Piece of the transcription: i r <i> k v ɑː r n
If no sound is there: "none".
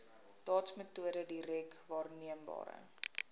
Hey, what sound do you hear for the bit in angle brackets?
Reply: ɛ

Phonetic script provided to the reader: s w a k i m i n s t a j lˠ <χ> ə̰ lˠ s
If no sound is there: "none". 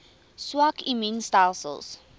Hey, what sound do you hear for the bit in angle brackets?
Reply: s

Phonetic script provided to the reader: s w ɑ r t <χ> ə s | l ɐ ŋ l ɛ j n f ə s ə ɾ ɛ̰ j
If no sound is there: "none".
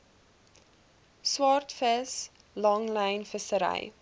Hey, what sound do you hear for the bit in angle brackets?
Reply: f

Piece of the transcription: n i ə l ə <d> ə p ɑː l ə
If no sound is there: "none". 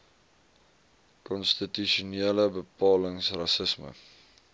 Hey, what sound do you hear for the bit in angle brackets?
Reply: b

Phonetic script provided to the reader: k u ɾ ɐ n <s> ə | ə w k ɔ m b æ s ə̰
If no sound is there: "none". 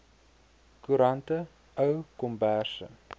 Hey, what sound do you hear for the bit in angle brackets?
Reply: t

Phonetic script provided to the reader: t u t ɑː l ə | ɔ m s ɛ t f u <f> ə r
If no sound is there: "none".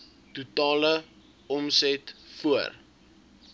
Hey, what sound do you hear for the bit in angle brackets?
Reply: none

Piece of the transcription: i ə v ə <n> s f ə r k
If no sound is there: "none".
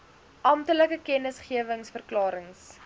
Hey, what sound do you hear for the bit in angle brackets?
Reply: ŋ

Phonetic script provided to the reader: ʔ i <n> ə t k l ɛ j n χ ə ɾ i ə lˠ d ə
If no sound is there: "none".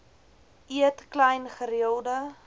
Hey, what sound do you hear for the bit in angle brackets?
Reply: none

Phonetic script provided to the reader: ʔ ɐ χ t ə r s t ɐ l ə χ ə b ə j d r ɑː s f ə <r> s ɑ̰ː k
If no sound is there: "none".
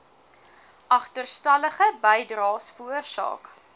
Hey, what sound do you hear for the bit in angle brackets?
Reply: r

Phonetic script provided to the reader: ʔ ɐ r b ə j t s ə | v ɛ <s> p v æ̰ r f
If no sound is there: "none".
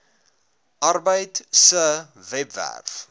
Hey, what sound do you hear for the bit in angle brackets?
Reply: none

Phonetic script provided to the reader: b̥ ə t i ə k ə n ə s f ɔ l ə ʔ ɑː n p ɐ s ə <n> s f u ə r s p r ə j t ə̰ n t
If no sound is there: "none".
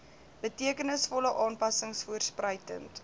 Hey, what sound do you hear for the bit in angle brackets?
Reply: ŋ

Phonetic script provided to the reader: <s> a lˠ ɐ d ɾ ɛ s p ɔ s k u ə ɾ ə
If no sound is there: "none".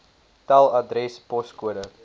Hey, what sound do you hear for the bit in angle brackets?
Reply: t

